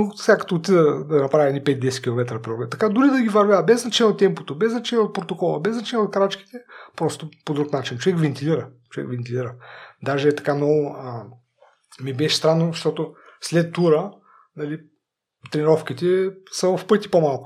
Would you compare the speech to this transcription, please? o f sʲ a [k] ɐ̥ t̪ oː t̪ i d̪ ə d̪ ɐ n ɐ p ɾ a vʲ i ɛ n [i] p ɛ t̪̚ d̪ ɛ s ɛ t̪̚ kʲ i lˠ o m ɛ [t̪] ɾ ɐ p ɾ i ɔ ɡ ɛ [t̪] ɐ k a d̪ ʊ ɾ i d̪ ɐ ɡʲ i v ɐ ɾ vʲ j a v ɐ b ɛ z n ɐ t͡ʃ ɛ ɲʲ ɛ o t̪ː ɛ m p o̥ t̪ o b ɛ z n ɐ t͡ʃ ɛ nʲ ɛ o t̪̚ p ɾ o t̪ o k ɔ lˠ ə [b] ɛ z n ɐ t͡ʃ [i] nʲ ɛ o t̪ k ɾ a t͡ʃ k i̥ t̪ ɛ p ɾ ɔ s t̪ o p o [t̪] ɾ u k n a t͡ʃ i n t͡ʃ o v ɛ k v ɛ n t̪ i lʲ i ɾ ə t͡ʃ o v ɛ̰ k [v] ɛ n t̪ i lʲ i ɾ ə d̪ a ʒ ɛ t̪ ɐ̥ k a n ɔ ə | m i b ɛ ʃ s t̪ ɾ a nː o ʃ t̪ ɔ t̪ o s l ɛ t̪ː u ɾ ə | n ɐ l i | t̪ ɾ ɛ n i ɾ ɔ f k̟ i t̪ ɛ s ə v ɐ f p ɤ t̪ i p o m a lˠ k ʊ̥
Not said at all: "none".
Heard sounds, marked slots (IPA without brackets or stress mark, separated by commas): k, i, t̪, t̪, b, ɛ, d̪, v